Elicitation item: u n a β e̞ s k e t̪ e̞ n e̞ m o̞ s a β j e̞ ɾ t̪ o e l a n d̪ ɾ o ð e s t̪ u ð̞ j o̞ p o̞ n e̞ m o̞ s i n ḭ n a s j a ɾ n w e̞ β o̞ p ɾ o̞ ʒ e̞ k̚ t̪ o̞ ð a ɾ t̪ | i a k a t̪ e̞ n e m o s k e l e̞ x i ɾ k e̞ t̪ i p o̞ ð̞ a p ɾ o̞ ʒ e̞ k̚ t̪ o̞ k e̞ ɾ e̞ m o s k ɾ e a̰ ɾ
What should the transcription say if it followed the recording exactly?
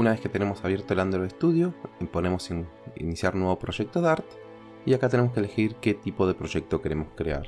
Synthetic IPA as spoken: u n a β e̞ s k e t̪ e̞ n e̞ m o̞ s a β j e̞ ɾ t̪ o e l a n d̪ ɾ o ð e s t̪ u ð̞ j o̞ p o̞ n e̞ m o̞ s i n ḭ n i s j a ɾ n w e̞ β o̞ p ɾ o̞ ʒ e̞ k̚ t̪ o̞ ð a ɾ t̪ | i a k a t̪ e̞ n e m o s k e l e̞ x i ɾ k e̞ t̪ i p o̞ ð̞ e p ɾ o̞ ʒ e̞ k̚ t̪ o̞ k e̞ ɾ e̞ m o s k ɾ e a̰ ɾ